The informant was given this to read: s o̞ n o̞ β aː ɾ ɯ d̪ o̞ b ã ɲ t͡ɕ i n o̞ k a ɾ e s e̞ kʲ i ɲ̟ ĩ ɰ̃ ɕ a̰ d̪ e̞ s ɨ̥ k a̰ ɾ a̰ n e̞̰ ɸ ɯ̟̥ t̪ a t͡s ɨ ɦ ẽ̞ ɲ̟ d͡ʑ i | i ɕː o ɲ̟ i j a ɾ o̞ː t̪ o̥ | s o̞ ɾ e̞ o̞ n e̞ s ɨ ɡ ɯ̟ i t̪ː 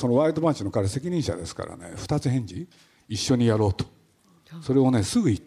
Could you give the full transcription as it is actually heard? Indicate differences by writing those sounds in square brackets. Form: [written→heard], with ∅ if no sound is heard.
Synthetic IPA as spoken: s o̞ n o̞ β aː ɾ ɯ d̪ o̞ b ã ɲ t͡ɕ i n o̞ k a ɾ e s e̞ kʲ i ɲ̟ ĩ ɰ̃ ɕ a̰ d̪ e̞ s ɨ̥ k a̰ ɾ a̰ n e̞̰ ɸ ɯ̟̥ t̪ a t͡s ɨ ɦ ẽ̞ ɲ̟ d͡ʑ i | i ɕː o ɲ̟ i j a ɾ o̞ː t̪ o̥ | s o̞ ɾ e̞ o̞ n e̞ s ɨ ɡ ɯ̟ i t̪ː